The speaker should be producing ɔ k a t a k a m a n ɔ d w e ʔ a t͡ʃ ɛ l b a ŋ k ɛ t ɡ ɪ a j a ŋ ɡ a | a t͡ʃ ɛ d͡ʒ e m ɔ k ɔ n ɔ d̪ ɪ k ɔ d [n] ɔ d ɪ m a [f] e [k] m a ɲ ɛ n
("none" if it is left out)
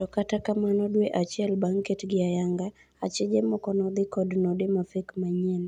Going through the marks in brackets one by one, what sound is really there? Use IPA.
n, f, k

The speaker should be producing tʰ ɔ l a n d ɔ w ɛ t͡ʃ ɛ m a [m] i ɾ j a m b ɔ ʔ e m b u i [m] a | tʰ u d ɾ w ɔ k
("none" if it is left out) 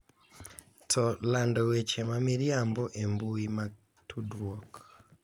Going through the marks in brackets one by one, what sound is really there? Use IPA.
m, m

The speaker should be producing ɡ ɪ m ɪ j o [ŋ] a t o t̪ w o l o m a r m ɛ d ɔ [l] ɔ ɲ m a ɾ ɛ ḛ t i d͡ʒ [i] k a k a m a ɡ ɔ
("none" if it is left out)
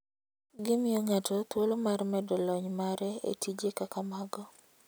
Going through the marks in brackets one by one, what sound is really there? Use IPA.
ŋ, l, e

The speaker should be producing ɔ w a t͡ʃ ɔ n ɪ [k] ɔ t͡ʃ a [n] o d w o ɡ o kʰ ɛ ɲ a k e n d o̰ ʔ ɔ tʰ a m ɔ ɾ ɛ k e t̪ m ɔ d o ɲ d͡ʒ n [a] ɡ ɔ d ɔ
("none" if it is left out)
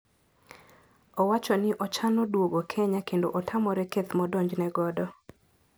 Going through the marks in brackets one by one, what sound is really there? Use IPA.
ʔ, n, ɛ

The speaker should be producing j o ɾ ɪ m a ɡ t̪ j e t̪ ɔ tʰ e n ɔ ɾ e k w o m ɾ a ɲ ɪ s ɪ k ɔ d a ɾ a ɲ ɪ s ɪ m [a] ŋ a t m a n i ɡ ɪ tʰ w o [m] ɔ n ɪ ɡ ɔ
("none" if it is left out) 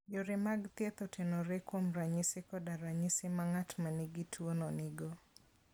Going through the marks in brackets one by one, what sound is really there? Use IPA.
a, n

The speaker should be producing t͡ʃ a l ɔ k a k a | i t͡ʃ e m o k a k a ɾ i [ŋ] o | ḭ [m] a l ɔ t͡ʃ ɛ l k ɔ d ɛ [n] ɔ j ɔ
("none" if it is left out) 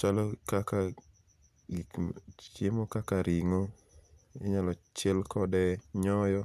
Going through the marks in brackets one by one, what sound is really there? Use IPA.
ŋ, ɲ, ɲ

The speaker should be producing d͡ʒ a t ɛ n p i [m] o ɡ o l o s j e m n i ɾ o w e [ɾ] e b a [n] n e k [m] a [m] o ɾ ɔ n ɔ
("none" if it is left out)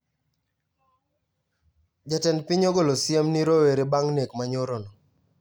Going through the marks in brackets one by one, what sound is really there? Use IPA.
ɲ, ɾ, ŋ, m, ɲ

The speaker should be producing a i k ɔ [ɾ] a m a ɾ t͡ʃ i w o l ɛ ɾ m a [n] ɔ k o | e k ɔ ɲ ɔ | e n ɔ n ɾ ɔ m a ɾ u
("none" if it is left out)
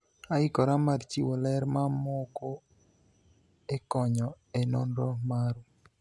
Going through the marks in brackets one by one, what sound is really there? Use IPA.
ɾ, m

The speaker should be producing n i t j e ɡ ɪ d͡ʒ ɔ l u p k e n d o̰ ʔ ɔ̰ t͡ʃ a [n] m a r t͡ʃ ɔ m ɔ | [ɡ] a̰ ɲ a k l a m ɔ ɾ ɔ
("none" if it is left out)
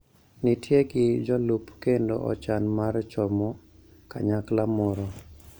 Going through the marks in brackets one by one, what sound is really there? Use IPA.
n, k

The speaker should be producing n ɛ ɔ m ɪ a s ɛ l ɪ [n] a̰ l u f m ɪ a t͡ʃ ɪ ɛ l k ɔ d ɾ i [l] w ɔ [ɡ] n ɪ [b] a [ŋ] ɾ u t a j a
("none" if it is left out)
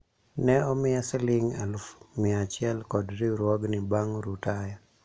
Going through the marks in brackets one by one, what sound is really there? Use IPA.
ŋ, ɾ, ɡ, b, ŋ

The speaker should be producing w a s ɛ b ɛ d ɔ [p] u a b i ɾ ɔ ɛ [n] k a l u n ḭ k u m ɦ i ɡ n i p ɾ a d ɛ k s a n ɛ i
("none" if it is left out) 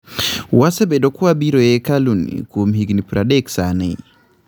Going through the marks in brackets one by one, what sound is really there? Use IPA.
k, none

